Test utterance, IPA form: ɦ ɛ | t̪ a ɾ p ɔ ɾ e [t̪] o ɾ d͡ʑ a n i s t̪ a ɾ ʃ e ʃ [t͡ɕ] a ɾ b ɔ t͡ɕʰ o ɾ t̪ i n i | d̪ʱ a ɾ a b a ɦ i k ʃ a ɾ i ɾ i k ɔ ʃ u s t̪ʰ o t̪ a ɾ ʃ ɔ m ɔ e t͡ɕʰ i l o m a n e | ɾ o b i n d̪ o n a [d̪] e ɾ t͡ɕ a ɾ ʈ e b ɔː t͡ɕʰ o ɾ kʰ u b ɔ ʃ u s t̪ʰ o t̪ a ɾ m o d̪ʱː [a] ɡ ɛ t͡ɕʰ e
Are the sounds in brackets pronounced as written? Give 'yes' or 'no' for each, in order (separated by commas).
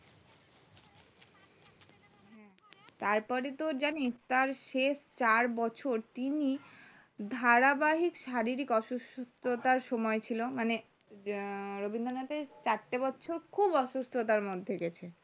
yes, yes, no, no